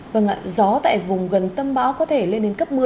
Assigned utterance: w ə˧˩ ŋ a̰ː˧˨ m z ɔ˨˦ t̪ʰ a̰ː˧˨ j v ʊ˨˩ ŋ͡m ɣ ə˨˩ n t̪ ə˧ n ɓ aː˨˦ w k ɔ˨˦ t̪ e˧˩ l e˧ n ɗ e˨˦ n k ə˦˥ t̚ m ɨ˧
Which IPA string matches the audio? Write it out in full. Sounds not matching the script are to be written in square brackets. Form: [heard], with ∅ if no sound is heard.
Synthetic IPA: [v] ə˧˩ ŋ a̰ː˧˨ [∅] z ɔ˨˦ [t̪] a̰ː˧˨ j v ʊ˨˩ ŋ͡m ɣ ə˨˩ n t̪ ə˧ [m] ɓ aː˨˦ w k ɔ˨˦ [t̪ʰ] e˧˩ l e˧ n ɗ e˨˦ n k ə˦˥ [p̚] m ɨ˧